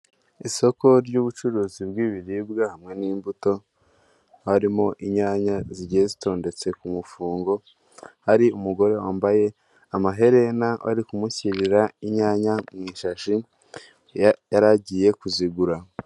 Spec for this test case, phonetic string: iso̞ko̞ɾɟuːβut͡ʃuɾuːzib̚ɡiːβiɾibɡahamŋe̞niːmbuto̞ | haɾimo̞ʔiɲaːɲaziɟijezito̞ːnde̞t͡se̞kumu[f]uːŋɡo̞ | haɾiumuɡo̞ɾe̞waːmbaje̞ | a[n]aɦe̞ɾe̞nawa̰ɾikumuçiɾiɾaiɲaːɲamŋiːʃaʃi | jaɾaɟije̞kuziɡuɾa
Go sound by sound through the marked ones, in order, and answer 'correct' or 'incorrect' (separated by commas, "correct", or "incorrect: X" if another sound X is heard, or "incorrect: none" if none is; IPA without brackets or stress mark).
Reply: correct, incorrect: m